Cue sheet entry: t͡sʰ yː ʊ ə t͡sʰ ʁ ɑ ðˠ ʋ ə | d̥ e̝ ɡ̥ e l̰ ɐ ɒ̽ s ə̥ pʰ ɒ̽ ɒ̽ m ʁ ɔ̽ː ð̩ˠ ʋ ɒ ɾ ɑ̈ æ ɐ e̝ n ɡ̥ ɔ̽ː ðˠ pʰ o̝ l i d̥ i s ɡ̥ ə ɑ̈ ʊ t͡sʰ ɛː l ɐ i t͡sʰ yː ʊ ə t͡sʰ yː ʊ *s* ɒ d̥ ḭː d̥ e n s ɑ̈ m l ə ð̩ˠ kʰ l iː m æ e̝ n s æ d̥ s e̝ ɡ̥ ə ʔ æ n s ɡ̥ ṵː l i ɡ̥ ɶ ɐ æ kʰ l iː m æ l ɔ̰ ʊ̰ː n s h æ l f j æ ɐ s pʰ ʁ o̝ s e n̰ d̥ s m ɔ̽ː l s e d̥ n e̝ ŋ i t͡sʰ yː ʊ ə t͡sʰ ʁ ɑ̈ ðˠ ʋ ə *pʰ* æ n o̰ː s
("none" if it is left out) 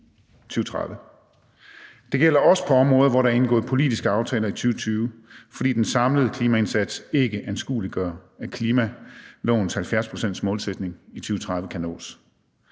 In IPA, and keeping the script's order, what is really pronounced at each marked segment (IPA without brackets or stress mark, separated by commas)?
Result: f, kʰ